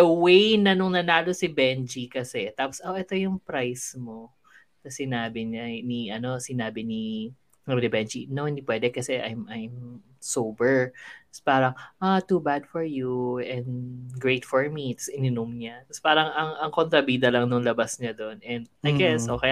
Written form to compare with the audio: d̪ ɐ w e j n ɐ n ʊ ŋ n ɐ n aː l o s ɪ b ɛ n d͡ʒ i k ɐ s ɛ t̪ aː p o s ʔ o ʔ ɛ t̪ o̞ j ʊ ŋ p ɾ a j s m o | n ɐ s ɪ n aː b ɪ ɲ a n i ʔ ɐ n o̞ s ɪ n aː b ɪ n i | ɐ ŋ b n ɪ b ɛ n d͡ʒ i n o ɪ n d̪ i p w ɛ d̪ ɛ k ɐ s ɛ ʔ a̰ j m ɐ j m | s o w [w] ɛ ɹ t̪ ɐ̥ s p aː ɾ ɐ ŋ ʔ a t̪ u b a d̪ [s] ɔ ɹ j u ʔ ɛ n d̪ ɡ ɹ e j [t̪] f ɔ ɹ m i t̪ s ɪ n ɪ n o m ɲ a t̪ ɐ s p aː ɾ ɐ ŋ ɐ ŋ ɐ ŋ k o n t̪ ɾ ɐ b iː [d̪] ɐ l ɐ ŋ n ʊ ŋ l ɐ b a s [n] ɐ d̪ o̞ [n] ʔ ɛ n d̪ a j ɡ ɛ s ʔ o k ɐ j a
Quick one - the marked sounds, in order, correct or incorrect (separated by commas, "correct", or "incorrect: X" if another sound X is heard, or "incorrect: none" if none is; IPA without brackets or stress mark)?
incorrect: b, incorrect: f, correct, correct, incorrect: ɲ, correct